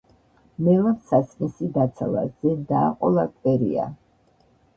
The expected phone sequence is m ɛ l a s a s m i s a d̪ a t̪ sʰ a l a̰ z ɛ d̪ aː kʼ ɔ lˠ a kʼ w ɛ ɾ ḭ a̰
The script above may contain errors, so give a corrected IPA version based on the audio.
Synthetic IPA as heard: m ɛ l a s a s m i s i d̪ a t̪ sʰ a l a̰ z ɛ d̪ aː qʼ ɔ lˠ a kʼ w ɛ ɾ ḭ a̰